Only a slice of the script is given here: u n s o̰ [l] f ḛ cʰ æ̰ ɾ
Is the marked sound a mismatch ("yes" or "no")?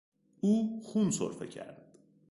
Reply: yes